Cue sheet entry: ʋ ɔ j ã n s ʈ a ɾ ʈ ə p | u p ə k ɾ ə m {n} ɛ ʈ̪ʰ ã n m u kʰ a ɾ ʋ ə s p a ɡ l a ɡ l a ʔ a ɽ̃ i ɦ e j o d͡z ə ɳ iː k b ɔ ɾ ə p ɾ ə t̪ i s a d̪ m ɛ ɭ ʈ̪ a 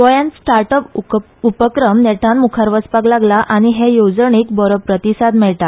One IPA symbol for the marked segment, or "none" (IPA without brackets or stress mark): n